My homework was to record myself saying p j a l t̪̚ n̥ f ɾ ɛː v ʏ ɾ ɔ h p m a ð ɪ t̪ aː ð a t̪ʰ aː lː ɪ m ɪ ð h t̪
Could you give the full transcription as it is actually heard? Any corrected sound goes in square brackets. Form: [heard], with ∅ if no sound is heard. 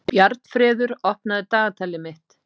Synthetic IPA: p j a [ɾ] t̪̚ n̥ f ɾ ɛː [ð] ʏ ɾ ɔ h p [n] a ð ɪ t̪ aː [ɣ] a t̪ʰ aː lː ɪ m ɪ [∅] h t̪